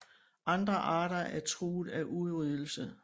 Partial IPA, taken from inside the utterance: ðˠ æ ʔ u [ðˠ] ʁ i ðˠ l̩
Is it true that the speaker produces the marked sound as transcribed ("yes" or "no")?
yes